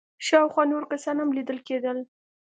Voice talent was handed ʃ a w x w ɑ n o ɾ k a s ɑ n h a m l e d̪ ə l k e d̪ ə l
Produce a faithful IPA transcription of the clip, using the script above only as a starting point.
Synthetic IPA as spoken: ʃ ɑ w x w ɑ n o ɾ k a s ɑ n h a m l i d̪ ə l k e d̪ ə l